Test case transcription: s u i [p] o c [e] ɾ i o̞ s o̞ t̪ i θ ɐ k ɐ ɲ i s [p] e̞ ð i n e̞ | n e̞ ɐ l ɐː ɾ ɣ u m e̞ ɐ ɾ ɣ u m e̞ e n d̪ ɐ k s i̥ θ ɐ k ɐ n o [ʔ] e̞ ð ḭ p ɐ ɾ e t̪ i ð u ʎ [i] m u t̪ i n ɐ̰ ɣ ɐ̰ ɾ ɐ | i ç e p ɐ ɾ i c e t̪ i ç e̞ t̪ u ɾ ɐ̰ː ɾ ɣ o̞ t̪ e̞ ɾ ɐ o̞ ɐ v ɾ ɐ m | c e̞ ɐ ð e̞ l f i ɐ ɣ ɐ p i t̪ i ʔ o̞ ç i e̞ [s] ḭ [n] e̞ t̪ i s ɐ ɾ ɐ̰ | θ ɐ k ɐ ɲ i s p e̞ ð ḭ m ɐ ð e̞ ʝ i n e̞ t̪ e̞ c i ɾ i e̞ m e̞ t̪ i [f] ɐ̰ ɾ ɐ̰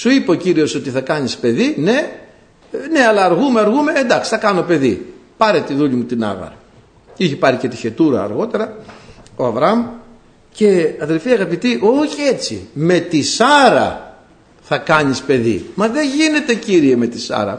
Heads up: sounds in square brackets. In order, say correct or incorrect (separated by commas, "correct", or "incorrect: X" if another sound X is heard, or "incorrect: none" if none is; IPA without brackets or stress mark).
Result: correct, incorrect: i, correct, incorrect: p, correct, incorrect: t͡s, incorrect: m, incorrect: s